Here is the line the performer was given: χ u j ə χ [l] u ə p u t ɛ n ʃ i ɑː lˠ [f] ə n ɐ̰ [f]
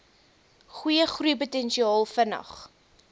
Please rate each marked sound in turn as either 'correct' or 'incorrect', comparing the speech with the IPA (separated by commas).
incorrect, correct, incorrect